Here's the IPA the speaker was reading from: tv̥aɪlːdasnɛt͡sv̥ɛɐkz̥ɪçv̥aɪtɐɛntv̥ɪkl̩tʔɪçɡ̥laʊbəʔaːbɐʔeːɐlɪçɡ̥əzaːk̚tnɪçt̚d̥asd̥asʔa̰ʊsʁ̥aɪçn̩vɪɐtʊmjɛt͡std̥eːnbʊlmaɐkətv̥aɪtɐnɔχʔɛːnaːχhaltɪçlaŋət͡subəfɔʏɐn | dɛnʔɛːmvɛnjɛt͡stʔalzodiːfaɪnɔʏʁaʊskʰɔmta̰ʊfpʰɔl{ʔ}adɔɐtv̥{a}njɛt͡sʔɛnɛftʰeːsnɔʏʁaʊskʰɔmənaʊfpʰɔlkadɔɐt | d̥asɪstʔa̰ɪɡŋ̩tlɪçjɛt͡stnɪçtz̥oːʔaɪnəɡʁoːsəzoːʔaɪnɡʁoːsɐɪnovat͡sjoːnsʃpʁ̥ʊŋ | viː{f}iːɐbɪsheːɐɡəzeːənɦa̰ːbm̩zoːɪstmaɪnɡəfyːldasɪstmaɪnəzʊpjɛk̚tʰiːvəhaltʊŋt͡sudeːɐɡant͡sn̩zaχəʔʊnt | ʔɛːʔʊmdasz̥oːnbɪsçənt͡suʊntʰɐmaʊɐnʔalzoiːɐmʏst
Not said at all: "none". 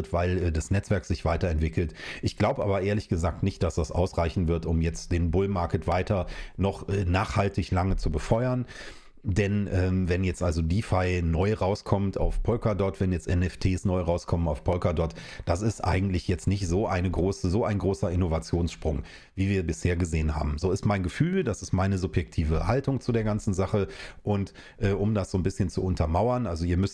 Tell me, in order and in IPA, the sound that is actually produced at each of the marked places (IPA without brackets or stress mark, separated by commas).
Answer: k, ɛ, v